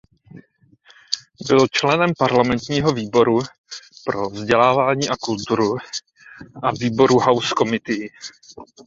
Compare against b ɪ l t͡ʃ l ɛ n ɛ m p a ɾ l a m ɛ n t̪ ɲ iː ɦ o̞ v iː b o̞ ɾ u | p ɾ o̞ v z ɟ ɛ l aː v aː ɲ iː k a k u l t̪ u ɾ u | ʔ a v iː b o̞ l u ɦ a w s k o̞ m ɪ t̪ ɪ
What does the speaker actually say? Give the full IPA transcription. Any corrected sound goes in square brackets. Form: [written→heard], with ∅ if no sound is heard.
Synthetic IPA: b ɪ l t͡ʃ l ɛ n ɛ m p a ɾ l a m ɛ n t̪ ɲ iː ɦ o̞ v iː b o̞ ɾ u | p ɾ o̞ v z ɟ ɛ l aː v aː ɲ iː [k→ʔ] a k u l t̪ u ɾ u | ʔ a v iː b o̞ [l→ɾ] u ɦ a w s k o̞ m ɪ t̪ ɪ